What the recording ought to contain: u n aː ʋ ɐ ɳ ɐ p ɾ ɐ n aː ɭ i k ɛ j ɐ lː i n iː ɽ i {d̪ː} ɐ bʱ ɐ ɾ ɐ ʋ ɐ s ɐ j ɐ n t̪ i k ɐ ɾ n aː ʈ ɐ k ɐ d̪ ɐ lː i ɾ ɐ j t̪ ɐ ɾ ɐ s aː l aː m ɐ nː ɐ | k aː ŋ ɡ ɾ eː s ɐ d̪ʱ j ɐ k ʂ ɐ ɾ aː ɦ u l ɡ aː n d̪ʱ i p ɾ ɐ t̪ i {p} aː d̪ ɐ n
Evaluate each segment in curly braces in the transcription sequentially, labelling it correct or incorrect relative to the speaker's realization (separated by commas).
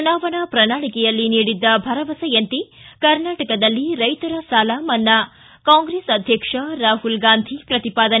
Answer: correct, correct